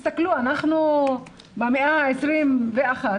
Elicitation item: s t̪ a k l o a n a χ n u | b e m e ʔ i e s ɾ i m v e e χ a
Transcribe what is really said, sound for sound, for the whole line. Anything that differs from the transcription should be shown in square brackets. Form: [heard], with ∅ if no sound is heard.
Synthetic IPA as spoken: s t̪ a k l [u] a n a χ n u | b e m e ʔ [a] e s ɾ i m v e [a] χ a